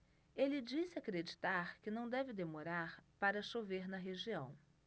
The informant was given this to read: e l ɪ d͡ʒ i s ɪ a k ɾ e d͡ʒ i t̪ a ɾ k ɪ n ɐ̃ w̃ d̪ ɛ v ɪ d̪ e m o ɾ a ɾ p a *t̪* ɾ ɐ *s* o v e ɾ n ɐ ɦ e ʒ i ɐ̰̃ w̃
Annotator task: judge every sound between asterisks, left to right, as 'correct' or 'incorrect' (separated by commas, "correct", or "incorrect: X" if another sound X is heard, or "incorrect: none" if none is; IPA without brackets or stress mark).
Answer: incorrect: none, incorrect: ʃ